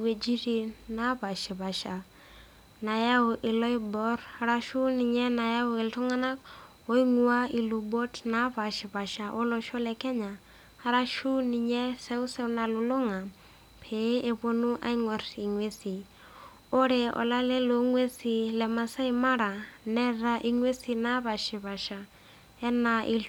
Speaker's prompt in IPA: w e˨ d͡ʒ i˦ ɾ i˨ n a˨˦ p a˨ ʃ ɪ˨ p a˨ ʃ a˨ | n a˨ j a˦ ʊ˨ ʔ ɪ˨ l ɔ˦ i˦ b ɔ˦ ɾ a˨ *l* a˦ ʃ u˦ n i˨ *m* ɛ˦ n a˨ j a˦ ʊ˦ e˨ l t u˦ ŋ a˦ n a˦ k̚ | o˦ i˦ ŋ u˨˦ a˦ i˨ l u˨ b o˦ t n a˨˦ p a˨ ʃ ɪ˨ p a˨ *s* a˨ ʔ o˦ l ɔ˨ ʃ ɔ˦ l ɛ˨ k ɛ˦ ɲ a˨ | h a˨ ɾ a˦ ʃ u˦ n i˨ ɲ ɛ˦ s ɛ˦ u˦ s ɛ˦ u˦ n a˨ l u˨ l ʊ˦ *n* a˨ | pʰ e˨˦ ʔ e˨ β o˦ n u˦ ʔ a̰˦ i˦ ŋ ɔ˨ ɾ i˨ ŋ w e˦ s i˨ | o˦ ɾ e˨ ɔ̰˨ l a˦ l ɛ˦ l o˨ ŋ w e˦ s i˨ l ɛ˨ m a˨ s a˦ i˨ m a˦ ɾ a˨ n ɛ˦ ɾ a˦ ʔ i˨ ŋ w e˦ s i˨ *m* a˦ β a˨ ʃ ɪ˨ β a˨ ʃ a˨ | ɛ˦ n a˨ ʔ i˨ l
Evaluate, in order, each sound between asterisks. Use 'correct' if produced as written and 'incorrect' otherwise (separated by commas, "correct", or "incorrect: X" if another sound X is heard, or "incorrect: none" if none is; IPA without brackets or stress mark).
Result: incorrect: ɾ, incorrect: ɲ, incorrect: ʃ, incorrect: ŋ, incorrect: n